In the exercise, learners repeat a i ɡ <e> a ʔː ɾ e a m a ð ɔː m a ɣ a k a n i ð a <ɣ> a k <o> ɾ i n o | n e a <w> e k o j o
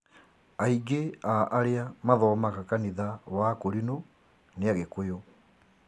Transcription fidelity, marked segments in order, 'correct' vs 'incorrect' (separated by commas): correct, incorrect, correct, incorrect